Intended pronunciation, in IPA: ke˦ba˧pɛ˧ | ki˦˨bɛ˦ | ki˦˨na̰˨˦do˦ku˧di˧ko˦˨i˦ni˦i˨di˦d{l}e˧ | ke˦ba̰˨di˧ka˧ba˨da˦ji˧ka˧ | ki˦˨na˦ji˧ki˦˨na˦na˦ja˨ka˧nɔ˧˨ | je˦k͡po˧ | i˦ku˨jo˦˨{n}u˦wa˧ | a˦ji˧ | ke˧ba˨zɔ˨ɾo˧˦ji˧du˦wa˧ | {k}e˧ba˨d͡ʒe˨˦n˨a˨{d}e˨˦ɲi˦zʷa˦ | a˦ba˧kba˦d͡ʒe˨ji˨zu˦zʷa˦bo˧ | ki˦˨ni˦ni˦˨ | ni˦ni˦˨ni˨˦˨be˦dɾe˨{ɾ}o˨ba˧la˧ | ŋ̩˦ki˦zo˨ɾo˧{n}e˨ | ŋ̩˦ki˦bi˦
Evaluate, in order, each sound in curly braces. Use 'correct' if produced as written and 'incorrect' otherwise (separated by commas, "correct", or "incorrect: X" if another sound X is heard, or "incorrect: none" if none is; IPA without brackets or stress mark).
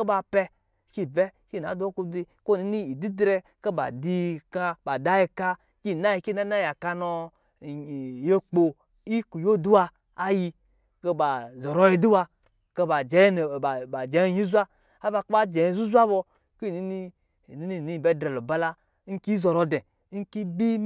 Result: incorrect: ɾ, incorrect: d, correct, incorrect: d͡ʒ, incorrect: l, incorrect: d